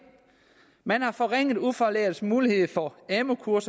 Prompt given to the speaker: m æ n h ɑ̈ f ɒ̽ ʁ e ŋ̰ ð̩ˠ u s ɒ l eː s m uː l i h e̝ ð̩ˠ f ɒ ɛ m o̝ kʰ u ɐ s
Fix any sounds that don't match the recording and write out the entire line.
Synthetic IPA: m æ n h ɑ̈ f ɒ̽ ʁ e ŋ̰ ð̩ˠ u f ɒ l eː s m uː l i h e̝ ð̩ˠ f ɒ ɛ m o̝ kʰ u ɐ s